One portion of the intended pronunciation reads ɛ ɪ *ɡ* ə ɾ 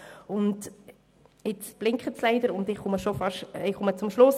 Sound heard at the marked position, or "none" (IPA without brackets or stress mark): d